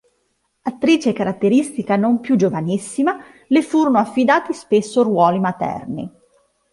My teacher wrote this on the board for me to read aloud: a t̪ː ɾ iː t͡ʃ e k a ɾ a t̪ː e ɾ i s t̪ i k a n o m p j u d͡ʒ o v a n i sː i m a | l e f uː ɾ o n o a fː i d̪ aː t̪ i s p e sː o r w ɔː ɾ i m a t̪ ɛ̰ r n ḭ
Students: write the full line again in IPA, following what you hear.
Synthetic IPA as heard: a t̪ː ɾ iː t͡ʃ e k a ɾ a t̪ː e ɾ i s t̪ i k a n o m p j u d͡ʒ o v a n i sː i m a | l e f uː ɾ o n o a fː i d̪ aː t̪ i s p e sː o r w ɔː l i m a t̪ ɛ̰ r n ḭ